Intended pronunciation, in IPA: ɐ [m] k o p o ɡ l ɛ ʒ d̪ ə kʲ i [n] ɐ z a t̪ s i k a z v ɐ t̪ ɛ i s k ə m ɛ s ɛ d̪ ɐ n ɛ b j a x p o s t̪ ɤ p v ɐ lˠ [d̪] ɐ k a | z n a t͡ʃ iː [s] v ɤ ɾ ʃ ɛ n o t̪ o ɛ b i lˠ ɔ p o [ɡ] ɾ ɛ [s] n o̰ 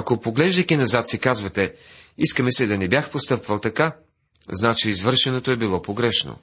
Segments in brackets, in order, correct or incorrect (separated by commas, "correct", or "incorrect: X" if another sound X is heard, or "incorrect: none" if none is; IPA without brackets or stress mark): incorrect: none, correct, incorrect: t̪, incorrect: z, correct, incorrect: ʃ